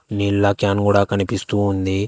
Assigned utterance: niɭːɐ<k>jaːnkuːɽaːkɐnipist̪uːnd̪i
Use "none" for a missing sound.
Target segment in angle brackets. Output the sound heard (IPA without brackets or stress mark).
k